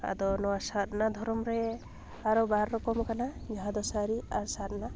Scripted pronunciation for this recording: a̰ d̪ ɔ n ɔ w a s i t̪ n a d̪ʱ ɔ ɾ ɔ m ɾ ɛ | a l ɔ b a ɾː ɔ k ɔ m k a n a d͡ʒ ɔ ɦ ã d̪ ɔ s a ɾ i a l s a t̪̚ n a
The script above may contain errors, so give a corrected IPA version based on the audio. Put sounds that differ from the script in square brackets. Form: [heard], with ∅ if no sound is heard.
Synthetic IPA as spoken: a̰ d̪ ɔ n ɔ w a s [a] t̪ n a d̪ʱ ɔ ɾ ɔ m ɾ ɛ | a [ɾ] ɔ b a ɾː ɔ k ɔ m k a n a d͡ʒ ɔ ɦ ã d̪ ɔ s a ɾ i a [ɾ] s a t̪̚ n a